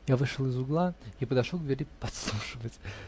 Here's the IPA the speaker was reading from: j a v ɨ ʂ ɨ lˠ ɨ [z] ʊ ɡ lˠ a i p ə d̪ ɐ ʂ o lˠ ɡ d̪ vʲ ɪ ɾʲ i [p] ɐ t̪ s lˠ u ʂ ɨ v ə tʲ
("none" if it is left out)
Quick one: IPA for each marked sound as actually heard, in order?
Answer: z, p

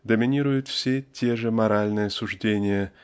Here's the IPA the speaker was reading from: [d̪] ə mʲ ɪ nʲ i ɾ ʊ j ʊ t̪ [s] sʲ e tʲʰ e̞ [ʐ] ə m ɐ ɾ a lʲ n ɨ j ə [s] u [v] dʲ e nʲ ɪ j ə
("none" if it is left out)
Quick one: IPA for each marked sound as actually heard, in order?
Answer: d̪, f, ʐ, s, ʐ

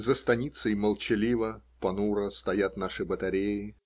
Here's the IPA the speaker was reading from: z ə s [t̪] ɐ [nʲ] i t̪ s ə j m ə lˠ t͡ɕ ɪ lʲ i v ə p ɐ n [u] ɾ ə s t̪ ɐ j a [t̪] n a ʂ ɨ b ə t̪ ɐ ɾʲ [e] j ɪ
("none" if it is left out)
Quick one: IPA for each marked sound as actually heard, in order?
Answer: t̪, nʲ, u, t̪, e

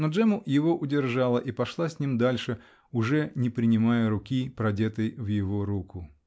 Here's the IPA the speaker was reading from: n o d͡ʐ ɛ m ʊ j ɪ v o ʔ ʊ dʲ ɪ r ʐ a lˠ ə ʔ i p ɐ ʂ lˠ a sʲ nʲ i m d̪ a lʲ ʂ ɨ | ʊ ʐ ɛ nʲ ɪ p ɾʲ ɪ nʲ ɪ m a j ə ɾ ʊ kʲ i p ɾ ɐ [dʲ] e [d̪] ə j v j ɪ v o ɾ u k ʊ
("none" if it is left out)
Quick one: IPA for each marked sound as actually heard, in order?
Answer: dʲ, t̪

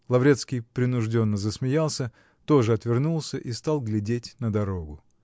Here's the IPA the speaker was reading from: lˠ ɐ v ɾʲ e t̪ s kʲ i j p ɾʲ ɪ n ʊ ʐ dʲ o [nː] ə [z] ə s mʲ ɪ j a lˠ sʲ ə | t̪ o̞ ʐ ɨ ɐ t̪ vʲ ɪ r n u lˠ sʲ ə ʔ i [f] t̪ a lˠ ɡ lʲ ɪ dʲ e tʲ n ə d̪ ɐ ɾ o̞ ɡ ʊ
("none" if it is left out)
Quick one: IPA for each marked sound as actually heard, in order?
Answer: nː, z, s

